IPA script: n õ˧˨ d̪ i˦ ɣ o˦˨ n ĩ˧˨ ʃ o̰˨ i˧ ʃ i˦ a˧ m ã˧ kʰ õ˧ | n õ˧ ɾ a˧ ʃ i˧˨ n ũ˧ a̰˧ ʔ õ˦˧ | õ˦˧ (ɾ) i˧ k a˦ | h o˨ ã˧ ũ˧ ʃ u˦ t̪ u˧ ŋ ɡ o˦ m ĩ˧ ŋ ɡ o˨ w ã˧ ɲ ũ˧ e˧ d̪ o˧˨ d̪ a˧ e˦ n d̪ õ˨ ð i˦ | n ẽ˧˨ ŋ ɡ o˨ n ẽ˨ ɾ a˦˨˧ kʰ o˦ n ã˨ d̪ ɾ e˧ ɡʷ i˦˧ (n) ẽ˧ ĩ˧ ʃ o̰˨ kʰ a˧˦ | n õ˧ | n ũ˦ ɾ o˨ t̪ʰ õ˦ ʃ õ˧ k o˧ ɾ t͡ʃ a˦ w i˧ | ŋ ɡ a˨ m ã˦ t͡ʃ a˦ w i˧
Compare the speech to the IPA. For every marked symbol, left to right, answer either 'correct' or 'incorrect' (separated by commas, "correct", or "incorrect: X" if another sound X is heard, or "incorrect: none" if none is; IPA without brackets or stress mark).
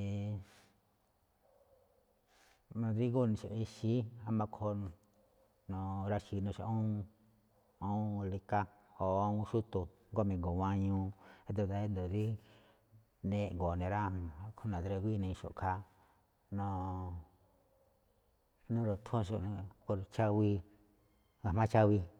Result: incorrect: l, correct